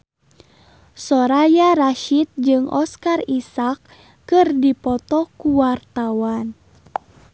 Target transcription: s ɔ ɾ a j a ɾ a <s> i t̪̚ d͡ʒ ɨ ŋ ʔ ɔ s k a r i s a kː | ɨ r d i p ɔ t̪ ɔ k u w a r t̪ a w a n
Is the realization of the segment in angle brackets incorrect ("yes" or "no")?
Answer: yes